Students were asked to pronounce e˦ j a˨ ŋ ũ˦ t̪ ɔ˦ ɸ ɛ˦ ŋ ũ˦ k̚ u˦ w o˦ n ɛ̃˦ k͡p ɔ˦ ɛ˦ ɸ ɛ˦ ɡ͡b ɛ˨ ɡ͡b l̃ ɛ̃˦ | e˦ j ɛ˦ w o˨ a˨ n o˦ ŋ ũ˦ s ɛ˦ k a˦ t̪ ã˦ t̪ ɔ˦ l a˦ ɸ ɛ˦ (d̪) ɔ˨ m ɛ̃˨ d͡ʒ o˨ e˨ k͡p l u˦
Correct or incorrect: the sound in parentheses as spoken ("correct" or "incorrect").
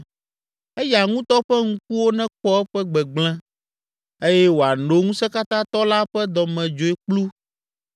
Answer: correct